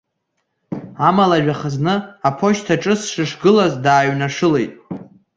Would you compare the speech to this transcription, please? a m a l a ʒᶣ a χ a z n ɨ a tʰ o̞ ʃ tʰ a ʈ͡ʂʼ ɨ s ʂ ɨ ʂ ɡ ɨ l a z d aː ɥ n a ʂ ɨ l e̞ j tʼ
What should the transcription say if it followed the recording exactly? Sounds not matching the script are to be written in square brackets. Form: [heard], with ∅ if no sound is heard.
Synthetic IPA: a m a l a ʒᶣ a χ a z n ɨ a [pʰ] o̞ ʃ tʰ a ʈ͡ʂʼ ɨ s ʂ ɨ ʂ ɡ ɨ l a z d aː ɥ n a ʂ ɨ l e̞ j tʼ